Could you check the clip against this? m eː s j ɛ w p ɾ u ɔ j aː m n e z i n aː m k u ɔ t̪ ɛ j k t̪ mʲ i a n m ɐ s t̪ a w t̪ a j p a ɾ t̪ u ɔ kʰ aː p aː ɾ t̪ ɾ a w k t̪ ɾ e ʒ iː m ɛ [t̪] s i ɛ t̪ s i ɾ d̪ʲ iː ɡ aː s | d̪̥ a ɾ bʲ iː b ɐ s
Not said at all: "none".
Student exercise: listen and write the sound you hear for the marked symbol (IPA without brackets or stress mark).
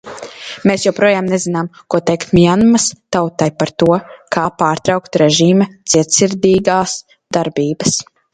t̪